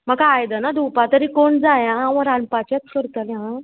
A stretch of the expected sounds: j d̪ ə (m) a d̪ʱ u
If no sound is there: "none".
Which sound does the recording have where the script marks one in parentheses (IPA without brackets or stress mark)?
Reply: n